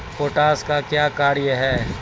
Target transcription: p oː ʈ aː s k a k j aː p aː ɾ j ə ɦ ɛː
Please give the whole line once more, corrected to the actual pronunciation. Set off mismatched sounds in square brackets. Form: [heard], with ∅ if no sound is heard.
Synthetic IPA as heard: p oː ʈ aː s k a k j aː [k] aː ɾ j ə ɦ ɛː